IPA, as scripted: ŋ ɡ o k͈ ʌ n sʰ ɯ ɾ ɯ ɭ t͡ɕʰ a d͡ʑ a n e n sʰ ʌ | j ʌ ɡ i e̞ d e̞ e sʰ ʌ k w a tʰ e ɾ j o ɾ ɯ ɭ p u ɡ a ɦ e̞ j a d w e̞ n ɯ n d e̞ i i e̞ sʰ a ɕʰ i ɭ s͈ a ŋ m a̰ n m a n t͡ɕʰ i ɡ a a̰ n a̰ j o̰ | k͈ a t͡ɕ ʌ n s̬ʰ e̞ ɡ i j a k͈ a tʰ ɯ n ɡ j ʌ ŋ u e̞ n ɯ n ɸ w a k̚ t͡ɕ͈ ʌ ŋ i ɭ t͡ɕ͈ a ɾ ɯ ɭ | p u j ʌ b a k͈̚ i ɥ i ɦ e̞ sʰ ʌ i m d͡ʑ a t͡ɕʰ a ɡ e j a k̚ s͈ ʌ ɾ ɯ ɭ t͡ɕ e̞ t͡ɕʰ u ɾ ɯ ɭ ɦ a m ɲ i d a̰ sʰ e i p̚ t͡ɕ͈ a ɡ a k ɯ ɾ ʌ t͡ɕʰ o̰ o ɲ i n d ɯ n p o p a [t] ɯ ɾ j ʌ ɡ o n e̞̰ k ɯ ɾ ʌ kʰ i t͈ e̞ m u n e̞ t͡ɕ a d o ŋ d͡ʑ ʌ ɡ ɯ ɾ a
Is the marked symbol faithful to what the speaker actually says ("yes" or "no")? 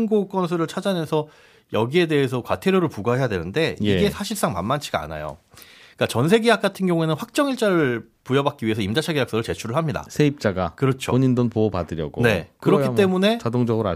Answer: no